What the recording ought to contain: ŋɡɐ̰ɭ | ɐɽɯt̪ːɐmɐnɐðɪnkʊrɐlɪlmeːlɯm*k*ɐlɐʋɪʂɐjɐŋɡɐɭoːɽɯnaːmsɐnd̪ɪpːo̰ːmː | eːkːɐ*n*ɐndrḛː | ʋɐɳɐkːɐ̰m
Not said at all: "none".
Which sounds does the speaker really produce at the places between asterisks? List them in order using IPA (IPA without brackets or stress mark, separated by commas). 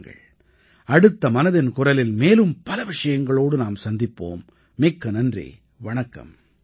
p, n